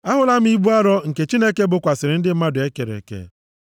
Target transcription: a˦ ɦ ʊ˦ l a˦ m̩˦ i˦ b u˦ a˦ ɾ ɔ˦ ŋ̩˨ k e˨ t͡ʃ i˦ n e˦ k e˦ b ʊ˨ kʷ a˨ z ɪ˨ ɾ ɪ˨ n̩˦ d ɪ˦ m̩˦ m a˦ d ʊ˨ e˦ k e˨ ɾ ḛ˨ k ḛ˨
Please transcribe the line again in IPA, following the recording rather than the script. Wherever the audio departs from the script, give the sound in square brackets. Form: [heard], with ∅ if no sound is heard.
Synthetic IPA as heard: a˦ ɦ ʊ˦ l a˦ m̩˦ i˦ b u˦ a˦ ɾ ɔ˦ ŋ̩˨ k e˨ t͡ʃ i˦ n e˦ k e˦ b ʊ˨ kʷ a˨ [s] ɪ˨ ɾ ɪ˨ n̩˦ d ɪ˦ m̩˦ m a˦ d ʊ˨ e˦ k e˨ ɾ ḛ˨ k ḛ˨